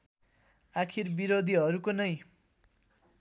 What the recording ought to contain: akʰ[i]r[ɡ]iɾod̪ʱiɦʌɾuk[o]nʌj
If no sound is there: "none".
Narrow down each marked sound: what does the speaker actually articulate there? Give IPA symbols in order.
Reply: i, b, o

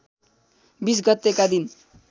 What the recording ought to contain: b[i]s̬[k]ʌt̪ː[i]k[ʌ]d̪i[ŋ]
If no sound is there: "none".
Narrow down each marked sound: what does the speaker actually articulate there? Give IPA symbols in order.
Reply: i, ɡ, e, a, n

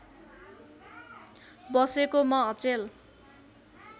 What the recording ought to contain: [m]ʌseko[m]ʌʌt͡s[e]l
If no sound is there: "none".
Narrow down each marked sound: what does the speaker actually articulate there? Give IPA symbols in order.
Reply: b, m, e

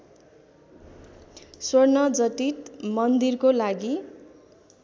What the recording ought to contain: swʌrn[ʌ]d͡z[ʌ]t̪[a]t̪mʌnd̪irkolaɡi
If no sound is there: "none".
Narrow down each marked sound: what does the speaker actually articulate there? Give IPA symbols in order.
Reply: ʌ, ʌ, i

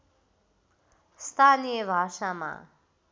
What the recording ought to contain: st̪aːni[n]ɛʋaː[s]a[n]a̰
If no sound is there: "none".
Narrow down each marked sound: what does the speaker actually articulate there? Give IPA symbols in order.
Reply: none, ʃ, m

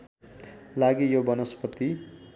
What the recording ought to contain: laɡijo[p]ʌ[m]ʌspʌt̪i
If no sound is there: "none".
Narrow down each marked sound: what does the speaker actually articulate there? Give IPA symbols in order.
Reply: b, n

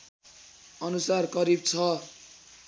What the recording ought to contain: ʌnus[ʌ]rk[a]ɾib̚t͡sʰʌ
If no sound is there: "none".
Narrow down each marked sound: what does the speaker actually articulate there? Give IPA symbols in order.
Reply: a, ʌ

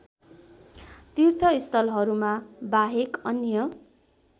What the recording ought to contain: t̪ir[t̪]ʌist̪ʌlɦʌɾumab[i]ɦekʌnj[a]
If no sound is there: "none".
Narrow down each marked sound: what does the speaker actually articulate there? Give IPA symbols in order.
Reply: t̪ʰ, a, ʌ

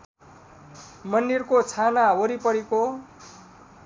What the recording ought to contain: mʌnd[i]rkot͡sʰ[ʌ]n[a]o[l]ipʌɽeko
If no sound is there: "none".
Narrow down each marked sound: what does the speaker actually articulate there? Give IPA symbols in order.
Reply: i, a, a, ɾ

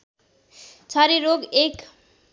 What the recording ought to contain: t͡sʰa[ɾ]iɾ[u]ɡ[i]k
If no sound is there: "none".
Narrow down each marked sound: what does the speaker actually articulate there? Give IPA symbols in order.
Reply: ɾ, o, e

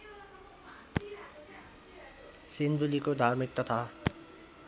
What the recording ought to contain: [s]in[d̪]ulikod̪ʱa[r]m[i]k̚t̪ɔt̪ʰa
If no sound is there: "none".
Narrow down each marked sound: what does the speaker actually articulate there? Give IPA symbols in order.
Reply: s, d̪, ɾ, i

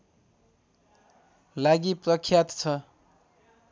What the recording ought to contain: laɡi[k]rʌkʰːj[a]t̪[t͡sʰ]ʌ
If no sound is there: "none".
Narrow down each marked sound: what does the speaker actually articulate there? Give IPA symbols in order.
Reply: p, a, t͡sʰ

